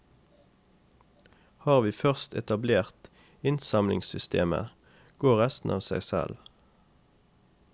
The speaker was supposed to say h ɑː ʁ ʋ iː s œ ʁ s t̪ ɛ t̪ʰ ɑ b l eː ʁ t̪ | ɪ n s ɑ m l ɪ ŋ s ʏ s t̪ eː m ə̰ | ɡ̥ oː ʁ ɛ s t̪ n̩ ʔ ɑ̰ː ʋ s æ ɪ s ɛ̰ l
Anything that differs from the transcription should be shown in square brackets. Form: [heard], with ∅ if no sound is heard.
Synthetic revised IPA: h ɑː ʁ ʋ iː [f] œ ʁ s t̪ ɛ [t̪] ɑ b l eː ʁ t̪ | ɪ n s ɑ m l ɪ ŋ s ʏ s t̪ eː m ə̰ | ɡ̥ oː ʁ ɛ s t̪ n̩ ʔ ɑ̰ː ʋ s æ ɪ s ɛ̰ l